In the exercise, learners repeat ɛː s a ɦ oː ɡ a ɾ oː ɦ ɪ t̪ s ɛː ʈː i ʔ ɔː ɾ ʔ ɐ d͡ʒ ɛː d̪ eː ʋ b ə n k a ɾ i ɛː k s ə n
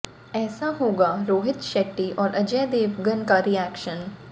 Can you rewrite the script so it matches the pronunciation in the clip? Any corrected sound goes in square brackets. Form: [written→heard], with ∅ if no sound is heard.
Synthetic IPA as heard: ɛː s a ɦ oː ɡ a ɾ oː ɦ ɪ t̪ [s→ʃ] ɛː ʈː i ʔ ɔː ɾ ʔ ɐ d͡ʒ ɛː d̪ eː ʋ [b→ɡ] ə n k a ɾ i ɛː k [s→ʃ] ə n

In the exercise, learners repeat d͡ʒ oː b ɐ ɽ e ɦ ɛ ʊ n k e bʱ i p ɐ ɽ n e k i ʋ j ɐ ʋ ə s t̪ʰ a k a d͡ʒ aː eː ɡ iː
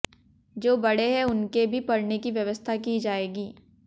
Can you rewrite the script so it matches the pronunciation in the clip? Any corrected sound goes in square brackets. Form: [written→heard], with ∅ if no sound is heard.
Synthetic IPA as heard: d͡ʒ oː b ɐ ɽ e ɦ ɛ ʊ n k e bʱ i p ɐ ɽ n e k i ʋ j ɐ ʋ ə s t̪ʰ a k [a→i] d͡ʒ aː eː ɡ iː

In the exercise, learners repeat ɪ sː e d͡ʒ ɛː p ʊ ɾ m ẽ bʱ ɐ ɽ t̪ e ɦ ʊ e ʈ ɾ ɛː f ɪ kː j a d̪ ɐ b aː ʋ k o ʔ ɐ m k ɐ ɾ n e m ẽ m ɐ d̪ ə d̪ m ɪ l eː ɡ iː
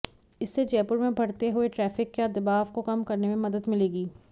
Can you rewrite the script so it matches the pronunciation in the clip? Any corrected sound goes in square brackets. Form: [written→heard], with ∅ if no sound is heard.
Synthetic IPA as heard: ɪ sː e d͡ʒ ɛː p ʊ ɾ m ẽ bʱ ɐ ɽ t̪ e ɦ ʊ e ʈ ɾ ɛː f ɪ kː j a d̪ ɐ b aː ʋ k o [ʔ→k] ɐ m k ɐ ɾ n e m ẽ m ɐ d̪ ə d̪ m ɪ l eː ɡ iː

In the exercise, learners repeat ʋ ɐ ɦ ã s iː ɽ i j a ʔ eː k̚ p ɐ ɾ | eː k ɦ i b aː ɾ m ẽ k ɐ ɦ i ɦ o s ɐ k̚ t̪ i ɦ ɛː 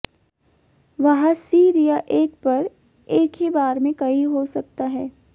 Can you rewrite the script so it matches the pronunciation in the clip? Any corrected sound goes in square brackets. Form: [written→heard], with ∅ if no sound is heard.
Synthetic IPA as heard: ʋ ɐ ɦ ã s iː [ɽ→ɾ] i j a ʔ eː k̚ p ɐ ɾ | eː k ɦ i b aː ɾ m ẽ k ɐ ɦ i ɦ o s ɐ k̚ t̪ [i→a] ɦ ɛː

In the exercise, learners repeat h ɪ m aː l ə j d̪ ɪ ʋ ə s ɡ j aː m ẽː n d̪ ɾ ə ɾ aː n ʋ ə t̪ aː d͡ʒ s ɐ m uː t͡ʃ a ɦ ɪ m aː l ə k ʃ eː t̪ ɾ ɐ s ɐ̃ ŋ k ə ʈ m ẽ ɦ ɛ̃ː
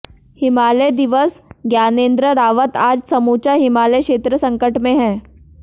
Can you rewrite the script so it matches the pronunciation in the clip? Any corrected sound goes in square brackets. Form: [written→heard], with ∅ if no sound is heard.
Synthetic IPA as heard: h ɪ m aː l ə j d̪ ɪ ʋ ə s ɡ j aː [m→n] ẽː n d̪ ɾ ə ɾ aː [n→∅] ʋ ə t̪ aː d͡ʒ s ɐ m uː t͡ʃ a ɦ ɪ m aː l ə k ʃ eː t̪ ɾ [ɐ→ə] s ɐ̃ ŋ k ə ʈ m ẽ ɦ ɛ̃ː

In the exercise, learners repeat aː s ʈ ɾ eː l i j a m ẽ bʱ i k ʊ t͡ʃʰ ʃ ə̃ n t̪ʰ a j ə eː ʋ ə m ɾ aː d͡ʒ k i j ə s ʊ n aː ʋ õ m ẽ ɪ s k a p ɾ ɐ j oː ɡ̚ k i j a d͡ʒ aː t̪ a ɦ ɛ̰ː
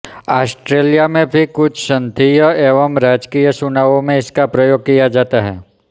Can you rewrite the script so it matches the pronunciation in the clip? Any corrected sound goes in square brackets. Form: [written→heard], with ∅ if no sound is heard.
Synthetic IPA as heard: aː s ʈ ɾ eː l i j a m ẽ bʱ i k ʊ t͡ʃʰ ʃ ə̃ n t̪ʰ [a→i] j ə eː ʋ ə m ɾ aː d͡ʒ k i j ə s ʊ n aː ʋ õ m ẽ ɪ s k a p ɾ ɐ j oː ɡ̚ k i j a d͡ʒ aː t̪ a ɦ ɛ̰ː

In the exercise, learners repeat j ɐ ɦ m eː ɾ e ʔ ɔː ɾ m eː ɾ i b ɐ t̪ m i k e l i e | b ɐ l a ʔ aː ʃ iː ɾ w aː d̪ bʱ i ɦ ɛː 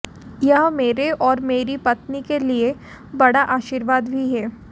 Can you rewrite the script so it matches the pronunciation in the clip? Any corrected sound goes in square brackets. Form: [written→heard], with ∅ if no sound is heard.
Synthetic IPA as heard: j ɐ ɦ m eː ɾ e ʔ ɔː ɾ m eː ɾ i [b→p] ɐ t̪ [m→n] i k e l i e | b ɐ [l→ɽ] a ʔ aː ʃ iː ɾ [w→ʋ] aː d̪ bʱ i ɦ ɛː

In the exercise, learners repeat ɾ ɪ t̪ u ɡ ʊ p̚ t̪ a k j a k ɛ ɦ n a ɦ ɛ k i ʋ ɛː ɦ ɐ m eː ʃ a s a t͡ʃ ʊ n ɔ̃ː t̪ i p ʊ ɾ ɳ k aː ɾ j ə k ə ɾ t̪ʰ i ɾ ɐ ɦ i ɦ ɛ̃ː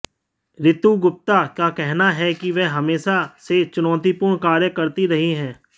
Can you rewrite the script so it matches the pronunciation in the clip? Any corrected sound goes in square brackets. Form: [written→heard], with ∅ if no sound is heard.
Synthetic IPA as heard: ɾ ɪ t̪ u ɡ ʊ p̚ t̪ a k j a k ɛ ɦ n a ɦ ɛ k i ʋ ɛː ɦ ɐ m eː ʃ a s [a→e] t͡ʃ ʊ n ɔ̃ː t̪ i p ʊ ɾ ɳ k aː ɾ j ə k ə ɾ [t̪ʰ→t̪] i ɾ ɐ ɦ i ɦ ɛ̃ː

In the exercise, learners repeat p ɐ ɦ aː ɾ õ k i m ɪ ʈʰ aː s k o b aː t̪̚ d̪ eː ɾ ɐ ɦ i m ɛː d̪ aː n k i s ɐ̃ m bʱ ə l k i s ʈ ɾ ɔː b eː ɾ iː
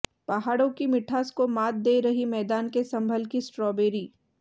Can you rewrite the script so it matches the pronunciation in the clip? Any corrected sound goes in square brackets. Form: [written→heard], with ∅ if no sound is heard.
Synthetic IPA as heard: p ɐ ɦ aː [ɾ→ɽ] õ k i m ɪ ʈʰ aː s k o [b→m] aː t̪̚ d̪ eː ɾ ɐ ɦ i m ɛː d̪ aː n k [i→e] s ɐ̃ m bʱ ə l k i s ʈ ɾ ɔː b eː ɾ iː

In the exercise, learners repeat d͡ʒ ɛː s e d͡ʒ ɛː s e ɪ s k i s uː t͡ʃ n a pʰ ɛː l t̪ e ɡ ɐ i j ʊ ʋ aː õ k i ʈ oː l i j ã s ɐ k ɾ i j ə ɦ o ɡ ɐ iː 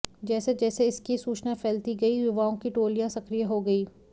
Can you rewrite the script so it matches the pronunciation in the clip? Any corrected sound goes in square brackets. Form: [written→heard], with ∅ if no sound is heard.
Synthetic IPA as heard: d͡ʒ ɛː s e d͡ʒ ɛː s e ɪ s k i s uː t͡ʃ n a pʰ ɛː l t̪ [e→i] ɡ ɐ i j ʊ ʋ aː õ k i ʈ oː l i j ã s ɐ k ɾ i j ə ɦ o ɡ ɐ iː

